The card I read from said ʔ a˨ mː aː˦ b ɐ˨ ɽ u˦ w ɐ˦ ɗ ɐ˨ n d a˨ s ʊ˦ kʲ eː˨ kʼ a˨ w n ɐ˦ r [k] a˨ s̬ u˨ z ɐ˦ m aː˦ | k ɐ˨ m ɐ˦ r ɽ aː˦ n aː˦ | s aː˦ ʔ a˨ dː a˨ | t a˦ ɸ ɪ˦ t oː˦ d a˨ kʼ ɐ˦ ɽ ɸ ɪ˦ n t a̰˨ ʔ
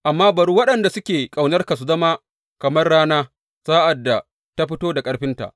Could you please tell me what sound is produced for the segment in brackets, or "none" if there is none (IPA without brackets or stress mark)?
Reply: k